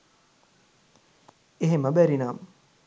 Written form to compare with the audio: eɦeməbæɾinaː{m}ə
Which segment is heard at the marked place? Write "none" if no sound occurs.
m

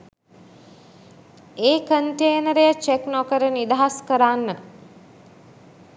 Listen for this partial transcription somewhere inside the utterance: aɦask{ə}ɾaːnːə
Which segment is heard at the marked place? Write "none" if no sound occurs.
ə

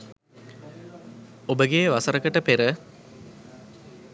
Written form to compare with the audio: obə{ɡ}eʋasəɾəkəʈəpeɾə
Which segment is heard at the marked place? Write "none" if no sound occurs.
ɡ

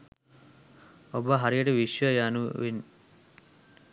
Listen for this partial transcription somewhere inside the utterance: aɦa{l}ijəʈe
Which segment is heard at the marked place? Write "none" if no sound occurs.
ɾ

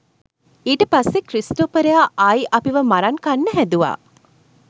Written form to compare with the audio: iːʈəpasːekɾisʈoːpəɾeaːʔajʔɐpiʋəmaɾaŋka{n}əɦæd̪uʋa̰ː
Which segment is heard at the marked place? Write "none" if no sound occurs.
nː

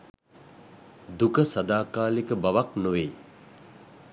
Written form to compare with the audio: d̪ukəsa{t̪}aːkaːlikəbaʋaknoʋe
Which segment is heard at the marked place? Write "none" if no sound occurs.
d̪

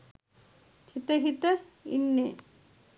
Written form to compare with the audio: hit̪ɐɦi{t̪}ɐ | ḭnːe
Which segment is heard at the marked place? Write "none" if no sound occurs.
t̪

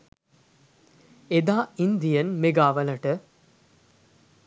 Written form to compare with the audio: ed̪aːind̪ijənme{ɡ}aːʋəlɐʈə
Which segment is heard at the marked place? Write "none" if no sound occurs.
ɡ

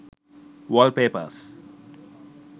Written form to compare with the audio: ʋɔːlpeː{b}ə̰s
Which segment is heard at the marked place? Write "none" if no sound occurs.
p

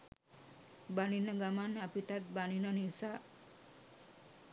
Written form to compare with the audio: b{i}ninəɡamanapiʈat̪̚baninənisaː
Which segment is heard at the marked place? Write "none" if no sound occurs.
a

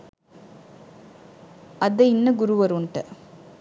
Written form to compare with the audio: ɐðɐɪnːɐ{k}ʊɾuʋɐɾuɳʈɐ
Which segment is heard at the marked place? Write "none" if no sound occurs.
ɡ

